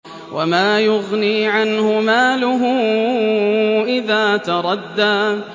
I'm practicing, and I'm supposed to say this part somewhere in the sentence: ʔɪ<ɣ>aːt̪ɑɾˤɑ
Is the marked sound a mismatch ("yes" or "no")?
yes